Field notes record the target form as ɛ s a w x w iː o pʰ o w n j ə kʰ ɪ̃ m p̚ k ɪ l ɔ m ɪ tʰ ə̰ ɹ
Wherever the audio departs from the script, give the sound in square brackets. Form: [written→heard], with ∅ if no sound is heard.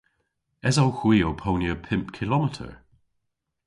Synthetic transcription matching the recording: ɛ [s→z] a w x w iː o pʰ o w n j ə [kʰ→pʰ] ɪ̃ m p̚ [k→kʰ] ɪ l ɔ m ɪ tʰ ə̰ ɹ

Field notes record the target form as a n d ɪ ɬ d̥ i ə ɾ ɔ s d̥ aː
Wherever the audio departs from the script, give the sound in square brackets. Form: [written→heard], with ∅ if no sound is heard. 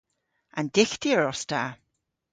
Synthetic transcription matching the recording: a n d ɪ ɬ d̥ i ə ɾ ɔ s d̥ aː

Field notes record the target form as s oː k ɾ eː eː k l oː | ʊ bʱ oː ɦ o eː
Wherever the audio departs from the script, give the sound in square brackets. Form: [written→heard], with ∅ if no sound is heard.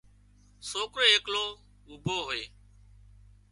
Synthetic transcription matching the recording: s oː k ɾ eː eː k l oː | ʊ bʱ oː ɦ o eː

